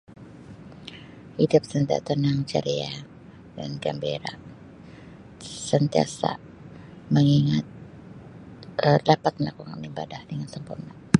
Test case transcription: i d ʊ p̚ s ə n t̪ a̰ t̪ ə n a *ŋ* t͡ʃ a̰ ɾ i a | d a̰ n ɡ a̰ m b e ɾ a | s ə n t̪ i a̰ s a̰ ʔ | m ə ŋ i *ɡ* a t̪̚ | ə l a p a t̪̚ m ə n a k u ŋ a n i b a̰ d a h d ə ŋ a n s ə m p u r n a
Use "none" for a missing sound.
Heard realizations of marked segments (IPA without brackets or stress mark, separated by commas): ŋ, ŋ